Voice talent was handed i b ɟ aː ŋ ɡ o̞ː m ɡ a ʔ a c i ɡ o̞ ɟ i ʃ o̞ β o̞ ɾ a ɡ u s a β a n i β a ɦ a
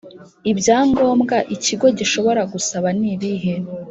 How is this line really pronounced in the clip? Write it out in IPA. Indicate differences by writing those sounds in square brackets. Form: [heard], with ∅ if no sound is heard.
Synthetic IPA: i b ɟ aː ŋ ɡ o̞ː m ɡ a ʔ [i] c i ɡ o̞ ɟ i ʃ o̞ β o̞ ɾ a ɡ u s a β a n i β [i] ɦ [e]